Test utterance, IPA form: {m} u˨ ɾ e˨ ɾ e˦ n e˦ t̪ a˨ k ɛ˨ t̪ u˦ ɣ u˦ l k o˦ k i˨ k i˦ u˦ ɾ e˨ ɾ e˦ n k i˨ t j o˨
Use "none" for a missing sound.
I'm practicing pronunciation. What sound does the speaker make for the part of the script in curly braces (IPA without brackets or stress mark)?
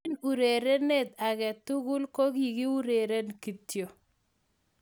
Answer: n